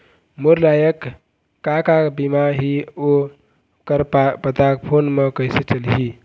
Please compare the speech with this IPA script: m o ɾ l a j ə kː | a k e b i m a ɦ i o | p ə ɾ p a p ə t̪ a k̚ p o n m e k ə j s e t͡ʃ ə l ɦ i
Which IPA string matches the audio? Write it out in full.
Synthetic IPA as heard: m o ɾ l a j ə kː | a k a b i m a ɦ i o | k ə ɾ p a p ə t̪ a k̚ pʰ o n m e k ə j s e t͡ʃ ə l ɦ i